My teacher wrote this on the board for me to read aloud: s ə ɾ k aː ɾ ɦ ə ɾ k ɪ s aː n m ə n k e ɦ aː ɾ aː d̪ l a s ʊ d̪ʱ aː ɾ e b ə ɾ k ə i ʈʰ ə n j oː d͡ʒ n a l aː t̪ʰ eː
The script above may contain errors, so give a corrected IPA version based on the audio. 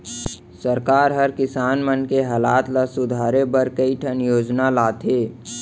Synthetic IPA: s ə ɾ k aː ɾ ɦ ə ɾ k ɪ s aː n m ə n k e ɦ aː l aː t̪ l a s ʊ d̪ʱ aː ɾ e b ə ɾ k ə i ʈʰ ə n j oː d͡ʒ n a l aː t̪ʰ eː